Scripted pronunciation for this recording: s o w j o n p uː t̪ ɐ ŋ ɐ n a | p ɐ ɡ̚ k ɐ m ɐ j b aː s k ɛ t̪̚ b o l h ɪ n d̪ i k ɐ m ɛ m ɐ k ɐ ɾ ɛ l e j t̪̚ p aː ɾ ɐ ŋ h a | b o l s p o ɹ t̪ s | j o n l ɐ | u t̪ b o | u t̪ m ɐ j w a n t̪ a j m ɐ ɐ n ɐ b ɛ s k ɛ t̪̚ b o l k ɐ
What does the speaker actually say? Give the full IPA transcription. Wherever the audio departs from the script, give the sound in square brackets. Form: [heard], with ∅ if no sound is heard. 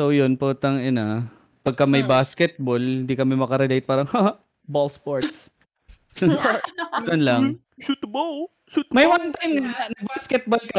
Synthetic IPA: s o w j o n p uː t̪ ɐ ŋ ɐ n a | p ɐ ɡ̚ k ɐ m ɐ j b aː s k ɛ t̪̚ b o l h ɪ n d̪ i k ɐ m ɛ m ɐ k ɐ ɾ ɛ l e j t̪̚ p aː ɾ ɐ ŋ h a | b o l s p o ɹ t̪ s | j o n l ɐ | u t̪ b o | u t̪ m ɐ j w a n t̪ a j m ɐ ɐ n ɐ b [a] s k ɛ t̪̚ b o l k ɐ